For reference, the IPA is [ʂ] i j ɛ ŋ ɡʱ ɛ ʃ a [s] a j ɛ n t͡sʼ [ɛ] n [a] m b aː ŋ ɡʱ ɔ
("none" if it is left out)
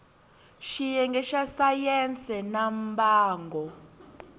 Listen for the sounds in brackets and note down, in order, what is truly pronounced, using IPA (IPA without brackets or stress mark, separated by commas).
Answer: ʃ, s, ɛ, a